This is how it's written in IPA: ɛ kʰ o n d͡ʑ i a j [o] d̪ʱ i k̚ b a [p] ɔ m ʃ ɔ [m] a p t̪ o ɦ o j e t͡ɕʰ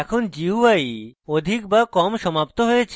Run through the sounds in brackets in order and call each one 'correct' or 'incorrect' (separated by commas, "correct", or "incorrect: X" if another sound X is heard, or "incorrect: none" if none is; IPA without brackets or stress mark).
correct, incorrect: k, correct